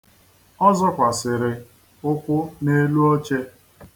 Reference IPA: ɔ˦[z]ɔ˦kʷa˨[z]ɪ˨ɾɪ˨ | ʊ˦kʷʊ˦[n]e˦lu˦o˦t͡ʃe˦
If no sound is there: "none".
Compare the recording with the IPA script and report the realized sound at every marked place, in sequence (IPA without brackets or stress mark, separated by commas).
z, s, n